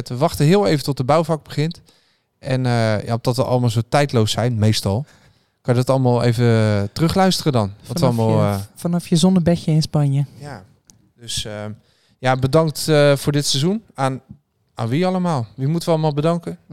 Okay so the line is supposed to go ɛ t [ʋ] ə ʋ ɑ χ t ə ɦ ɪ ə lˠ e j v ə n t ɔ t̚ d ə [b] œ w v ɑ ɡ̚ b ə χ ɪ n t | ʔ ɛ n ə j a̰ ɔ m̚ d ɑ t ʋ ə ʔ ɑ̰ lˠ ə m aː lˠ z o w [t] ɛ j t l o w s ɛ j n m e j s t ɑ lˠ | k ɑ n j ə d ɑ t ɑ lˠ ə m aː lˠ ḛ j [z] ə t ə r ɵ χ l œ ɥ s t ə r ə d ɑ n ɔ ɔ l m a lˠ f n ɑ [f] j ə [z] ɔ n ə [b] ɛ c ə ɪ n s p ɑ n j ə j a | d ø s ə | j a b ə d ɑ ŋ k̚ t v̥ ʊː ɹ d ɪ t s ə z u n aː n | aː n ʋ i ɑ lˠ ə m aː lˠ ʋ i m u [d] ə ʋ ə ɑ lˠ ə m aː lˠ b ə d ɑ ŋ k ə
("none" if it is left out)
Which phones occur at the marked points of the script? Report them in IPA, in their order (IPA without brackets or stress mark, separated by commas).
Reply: ʋ, b, t, v, f, z, b, t